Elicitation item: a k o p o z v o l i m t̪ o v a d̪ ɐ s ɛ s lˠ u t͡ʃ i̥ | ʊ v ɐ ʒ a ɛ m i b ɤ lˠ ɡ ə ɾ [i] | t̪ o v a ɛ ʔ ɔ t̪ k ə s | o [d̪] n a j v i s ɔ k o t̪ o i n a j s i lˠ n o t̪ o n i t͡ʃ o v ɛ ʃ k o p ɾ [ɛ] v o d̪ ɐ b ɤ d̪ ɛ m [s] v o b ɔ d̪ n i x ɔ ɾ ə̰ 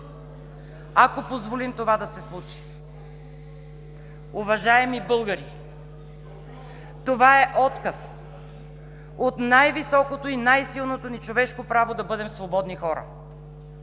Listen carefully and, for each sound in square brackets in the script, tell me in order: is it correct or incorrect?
correct, incorrect: t̪, incorrect: a, correct

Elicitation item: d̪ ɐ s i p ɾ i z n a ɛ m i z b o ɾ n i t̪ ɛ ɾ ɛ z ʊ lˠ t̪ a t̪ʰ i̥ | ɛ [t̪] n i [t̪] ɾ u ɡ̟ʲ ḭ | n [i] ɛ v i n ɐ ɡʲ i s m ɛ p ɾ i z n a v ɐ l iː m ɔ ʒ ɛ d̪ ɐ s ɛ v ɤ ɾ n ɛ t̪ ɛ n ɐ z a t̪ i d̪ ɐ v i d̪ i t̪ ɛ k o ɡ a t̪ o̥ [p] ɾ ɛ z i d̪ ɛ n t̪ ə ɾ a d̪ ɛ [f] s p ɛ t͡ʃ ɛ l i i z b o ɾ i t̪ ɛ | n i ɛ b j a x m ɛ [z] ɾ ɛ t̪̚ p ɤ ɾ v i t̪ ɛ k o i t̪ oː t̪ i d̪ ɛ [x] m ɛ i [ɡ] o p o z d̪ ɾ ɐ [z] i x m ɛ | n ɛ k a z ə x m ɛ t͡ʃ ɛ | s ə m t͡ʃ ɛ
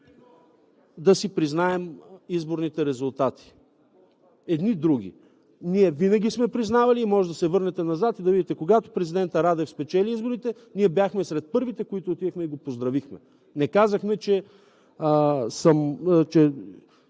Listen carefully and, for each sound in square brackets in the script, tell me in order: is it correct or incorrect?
incorrect: d̪, incorrect: d̪, correct, correct, correct, incorrect: s, correct, correct, incorrect: v

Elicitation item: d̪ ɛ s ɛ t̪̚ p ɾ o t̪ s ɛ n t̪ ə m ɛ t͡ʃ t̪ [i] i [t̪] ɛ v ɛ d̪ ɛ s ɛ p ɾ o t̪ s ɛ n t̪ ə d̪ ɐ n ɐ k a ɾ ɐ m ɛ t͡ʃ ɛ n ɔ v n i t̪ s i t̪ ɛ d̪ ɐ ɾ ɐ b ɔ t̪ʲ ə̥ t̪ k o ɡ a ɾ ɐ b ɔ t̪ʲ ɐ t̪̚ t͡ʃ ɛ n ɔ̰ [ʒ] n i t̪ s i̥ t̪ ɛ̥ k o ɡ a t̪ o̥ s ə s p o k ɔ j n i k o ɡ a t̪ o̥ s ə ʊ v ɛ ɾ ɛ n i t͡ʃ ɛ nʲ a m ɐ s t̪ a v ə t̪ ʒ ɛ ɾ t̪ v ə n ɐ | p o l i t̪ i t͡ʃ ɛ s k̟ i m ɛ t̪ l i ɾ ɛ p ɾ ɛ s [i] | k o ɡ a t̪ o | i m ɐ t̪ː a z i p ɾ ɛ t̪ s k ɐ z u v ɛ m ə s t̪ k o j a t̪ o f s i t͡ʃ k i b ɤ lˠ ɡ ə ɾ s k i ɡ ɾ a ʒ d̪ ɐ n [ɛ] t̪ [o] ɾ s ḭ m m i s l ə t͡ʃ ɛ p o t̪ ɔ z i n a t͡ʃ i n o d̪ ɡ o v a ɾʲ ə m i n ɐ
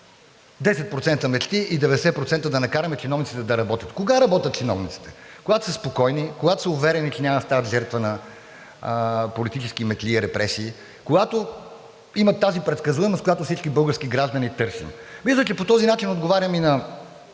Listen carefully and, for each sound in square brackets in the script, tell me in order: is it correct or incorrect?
correct, incorrect: d̪, incorrect: v, incorrect: iː, incorrect: i, incorrect: ɤ

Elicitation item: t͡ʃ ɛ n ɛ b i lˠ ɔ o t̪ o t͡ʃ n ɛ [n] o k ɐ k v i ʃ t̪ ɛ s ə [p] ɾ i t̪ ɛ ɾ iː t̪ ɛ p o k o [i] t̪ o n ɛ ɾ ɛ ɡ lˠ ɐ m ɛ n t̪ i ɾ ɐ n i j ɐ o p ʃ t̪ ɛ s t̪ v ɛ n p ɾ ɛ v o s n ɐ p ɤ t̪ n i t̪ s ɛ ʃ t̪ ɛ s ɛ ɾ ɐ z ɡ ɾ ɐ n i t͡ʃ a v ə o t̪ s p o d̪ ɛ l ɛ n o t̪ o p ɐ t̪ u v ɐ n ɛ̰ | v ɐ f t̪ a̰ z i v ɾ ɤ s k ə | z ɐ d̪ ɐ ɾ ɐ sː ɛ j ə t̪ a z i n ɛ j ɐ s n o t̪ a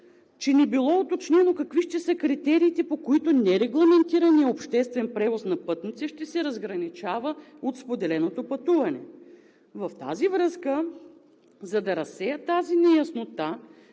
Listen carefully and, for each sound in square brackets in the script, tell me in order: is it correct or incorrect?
correct, incorrect: k, correct

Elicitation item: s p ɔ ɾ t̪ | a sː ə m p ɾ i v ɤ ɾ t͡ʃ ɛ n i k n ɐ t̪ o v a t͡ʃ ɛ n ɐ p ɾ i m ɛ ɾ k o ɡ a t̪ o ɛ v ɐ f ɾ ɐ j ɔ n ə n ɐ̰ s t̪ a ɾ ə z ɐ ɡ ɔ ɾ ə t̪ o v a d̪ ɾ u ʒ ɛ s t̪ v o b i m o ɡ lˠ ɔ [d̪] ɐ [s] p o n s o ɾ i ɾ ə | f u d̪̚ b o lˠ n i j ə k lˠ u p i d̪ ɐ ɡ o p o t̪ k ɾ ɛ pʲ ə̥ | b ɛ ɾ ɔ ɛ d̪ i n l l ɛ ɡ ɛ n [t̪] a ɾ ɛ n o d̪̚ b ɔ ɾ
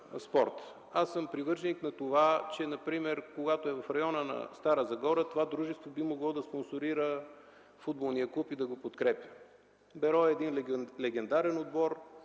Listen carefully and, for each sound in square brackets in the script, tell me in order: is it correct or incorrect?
correct, correct, incorrect: d̪

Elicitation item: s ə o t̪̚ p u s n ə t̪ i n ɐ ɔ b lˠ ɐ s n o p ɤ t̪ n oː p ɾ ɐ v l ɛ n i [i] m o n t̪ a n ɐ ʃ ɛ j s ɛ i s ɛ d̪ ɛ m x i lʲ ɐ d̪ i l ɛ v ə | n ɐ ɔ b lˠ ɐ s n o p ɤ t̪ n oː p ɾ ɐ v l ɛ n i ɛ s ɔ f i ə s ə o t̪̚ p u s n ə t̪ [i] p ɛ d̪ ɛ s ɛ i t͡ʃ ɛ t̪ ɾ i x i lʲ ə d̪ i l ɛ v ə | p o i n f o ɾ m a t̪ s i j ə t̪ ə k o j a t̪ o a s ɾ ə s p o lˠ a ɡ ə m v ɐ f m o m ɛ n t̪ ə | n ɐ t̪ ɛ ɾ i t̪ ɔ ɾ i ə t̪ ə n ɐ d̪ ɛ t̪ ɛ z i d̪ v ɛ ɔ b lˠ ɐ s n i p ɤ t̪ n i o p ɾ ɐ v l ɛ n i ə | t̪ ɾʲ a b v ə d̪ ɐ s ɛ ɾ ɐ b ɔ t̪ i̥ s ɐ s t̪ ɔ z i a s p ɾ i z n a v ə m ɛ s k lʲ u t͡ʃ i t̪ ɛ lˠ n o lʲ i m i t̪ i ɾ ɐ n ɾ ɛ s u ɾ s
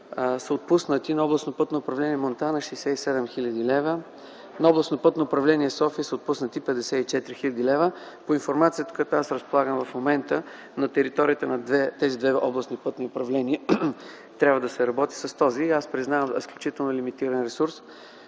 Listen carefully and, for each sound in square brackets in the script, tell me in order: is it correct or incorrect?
incorrect: ɛ, correct

